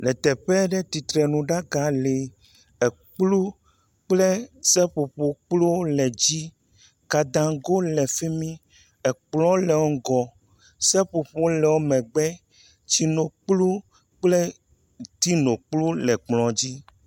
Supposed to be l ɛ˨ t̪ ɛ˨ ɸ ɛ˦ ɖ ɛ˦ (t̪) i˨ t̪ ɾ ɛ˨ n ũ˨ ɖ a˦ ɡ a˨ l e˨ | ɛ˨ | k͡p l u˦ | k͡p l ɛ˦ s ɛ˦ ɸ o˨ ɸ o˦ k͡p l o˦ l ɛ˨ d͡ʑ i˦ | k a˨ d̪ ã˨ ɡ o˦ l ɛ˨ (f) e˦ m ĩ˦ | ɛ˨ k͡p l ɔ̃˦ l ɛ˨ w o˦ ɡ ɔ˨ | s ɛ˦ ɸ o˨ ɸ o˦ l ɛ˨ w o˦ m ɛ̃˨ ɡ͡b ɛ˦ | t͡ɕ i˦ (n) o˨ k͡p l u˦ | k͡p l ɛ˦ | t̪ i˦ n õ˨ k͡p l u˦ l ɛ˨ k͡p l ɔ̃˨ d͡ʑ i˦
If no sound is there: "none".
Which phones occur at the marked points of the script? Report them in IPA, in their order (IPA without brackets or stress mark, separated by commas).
t̪, f, n